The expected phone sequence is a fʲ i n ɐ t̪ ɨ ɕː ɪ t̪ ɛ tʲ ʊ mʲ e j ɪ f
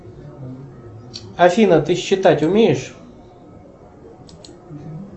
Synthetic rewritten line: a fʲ i n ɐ t̪ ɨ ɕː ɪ t̪ a tʲ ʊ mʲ e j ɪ ʂ